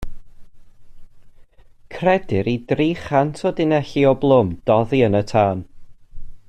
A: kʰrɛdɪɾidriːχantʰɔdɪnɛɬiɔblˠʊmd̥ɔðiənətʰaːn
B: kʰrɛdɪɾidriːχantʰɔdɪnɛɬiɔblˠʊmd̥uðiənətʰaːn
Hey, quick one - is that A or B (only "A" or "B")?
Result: A